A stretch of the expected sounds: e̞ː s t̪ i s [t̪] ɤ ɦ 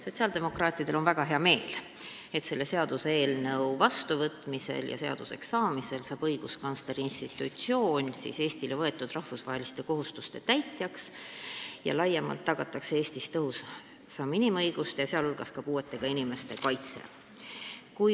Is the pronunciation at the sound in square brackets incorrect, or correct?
correct